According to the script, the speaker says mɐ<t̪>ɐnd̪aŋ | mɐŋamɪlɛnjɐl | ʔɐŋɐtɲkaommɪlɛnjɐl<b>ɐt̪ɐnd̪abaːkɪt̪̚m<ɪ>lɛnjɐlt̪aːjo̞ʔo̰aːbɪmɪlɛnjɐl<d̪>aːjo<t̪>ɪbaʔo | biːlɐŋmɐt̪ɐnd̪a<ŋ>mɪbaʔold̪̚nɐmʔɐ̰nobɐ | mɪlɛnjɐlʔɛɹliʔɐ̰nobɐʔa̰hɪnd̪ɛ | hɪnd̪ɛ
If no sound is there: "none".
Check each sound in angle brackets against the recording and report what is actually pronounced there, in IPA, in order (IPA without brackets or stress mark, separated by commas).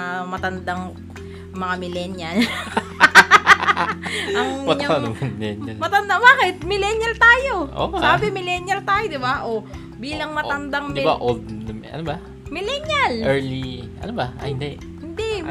t̪, m, ɪ, t̪, d̪, ŋ